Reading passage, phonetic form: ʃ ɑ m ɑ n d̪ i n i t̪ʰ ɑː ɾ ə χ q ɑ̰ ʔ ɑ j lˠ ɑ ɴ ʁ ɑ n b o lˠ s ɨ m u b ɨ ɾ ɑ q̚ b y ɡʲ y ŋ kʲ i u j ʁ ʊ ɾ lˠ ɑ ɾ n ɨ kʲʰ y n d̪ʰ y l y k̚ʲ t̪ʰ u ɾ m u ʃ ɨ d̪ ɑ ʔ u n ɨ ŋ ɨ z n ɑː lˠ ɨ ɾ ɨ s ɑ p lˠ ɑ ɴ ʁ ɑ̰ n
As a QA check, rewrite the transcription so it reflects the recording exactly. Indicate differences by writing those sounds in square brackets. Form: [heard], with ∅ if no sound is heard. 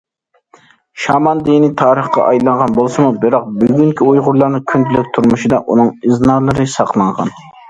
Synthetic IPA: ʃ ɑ m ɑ n d̪ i n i t̪ʰ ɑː ɾ ə χ q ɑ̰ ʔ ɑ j lˠ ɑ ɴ ʁ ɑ n b o lˠ s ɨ m u b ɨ ɾ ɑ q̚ b y ɡʲ y ŋ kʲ i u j ʁ ʊ ɾ lˠ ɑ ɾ n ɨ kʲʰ y n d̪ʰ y l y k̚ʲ t̪ʰ u ɾ m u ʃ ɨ d̪ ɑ ʔ u n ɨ ŋ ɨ z n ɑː lˠ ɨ ɾ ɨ s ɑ [q] lˠ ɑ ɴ ʁ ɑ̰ n